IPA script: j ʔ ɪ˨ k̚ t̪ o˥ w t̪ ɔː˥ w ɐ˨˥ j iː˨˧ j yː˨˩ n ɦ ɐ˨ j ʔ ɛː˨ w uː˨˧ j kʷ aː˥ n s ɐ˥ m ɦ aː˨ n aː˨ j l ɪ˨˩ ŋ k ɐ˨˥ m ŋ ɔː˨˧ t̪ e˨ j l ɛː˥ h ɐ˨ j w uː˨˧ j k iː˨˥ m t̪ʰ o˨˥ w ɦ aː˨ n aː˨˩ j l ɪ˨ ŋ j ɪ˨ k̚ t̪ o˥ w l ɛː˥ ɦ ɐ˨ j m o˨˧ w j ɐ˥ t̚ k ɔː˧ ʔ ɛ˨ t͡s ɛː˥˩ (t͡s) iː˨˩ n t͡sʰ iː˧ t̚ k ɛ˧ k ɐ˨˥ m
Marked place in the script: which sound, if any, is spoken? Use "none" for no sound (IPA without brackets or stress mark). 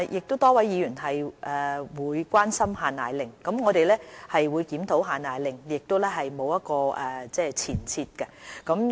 t͡sʰ